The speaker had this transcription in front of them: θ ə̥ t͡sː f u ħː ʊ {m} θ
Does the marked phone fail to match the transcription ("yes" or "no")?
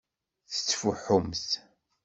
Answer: no